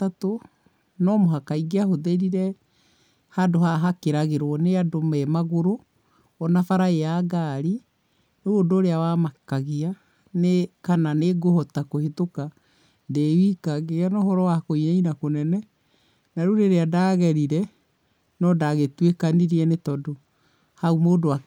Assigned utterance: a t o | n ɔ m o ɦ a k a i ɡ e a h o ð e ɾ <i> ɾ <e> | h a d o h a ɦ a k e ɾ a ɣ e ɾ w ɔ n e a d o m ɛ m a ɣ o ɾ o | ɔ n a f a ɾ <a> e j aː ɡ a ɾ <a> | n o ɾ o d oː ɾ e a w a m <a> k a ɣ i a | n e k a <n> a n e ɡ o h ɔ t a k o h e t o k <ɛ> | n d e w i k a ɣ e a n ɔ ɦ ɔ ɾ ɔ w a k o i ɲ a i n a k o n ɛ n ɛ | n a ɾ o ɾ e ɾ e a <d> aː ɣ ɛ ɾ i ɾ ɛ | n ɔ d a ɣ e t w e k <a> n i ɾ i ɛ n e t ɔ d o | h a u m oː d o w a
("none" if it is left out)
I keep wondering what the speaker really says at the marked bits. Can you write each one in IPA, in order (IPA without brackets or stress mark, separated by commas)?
i, ɛ, a, i, a, n, a, d, a